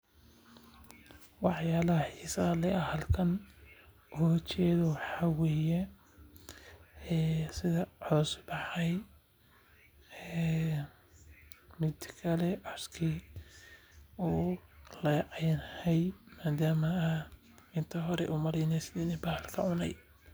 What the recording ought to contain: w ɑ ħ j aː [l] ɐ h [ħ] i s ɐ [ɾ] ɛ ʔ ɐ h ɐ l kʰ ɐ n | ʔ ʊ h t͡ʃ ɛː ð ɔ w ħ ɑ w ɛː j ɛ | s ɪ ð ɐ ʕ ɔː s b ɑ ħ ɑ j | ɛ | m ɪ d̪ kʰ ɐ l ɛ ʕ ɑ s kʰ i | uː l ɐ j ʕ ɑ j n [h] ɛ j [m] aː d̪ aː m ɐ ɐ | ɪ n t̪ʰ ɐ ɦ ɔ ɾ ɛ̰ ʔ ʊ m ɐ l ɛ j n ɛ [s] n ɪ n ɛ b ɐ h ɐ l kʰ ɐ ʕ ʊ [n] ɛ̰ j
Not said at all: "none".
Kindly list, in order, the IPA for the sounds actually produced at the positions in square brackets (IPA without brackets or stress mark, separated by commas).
l, ħ, l, h, m, s, n